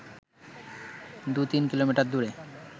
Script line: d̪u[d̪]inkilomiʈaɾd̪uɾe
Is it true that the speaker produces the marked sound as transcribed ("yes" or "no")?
no